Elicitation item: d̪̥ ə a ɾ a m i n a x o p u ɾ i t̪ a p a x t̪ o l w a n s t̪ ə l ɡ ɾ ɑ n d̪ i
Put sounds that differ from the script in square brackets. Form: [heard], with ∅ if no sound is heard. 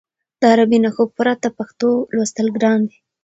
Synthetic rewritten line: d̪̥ ə a ɾ a [b] i n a x o p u ɾ [a] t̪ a p a x t̪ o l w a [∅] s t̪ ə l ɡ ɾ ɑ n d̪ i